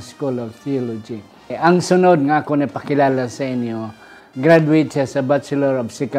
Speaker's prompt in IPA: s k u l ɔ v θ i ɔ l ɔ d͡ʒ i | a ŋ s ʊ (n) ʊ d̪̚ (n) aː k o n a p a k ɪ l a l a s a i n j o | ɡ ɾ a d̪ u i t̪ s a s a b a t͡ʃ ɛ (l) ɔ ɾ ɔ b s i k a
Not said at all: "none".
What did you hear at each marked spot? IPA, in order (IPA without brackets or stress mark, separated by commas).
n, ŋ, l